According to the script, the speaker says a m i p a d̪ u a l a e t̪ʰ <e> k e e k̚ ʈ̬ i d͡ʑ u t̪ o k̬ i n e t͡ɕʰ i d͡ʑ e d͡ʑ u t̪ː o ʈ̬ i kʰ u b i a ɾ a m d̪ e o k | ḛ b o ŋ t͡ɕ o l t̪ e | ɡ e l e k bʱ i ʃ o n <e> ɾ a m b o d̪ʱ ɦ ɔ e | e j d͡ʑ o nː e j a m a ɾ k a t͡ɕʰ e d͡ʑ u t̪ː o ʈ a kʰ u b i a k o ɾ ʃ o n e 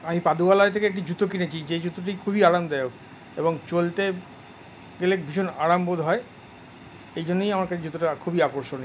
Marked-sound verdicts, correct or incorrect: correct, incorrect: a

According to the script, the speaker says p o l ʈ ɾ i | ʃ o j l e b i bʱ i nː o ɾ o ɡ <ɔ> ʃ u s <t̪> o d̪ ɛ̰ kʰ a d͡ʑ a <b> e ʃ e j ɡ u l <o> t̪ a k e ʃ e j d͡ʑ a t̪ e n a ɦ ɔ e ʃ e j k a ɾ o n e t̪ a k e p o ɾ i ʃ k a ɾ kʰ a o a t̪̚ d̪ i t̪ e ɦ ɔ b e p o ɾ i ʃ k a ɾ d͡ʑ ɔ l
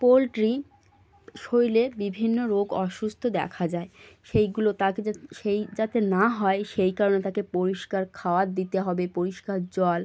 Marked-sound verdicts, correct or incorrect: correct, incorrect: t̪ʰ, incorrect: none, correct

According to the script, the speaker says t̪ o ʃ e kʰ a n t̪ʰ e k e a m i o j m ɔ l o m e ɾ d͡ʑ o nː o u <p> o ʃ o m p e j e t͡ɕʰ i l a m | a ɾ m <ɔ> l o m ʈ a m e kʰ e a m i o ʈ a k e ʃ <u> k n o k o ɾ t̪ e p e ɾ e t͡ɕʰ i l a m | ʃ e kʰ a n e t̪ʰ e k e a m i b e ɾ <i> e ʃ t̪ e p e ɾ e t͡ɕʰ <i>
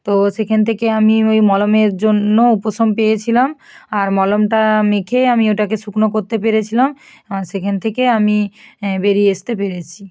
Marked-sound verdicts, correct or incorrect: correct, correct, correct, correct, correct

